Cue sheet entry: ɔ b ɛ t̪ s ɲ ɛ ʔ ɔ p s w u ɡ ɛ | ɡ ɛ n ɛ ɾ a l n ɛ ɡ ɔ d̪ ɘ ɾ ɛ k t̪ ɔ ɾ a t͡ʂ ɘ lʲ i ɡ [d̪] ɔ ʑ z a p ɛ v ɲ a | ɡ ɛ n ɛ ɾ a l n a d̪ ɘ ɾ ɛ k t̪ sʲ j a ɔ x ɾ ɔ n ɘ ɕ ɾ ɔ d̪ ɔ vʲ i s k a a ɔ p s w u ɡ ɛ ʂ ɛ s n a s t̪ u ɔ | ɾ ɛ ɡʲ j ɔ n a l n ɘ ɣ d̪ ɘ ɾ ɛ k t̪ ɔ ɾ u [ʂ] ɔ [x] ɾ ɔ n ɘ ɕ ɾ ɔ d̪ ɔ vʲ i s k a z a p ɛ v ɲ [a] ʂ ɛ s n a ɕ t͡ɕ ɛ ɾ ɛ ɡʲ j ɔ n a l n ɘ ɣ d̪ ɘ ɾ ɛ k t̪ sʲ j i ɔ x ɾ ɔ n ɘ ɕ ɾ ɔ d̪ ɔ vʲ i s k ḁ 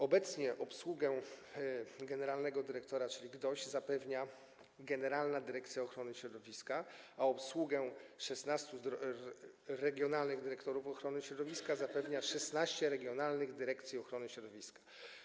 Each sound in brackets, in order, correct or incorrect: correct, incorrect: f, correct, correct

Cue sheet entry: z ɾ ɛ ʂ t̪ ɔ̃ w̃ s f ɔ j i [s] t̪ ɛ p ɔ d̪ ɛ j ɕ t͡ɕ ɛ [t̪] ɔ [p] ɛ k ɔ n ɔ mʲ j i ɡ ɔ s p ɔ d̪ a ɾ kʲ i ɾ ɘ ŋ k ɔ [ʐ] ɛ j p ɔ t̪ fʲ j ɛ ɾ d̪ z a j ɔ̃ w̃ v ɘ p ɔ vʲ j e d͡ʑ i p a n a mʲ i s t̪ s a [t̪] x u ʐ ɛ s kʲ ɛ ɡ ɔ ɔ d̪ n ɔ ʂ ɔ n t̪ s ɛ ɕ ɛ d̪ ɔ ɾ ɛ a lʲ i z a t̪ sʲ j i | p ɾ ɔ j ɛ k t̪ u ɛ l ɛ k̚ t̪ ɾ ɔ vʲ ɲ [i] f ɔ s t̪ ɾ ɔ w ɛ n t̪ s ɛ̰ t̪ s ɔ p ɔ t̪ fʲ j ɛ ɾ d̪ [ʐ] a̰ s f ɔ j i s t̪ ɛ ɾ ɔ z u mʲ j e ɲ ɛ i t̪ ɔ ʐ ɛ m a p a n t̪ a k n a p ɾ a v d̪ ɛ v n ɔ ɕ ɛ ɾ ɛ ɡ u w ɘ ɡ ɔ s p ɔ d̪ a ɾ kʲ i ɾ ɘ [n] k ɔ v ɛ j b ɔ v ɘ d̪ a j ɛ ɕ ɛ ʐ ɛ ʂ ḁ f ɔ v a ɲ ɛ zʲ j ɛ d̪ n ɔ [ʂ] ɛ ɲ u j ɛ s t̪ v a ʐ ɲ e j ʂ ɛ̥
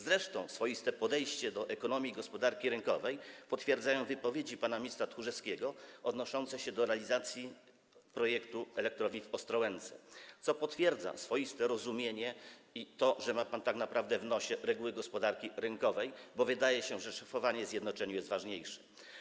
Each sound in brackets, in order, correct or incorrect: correct, incorrect: d̪, incorrect: ʔ, incorrect: v, correct, correct, incorrect: z, incorrect: ŋ, incorrect: t͡ʂ

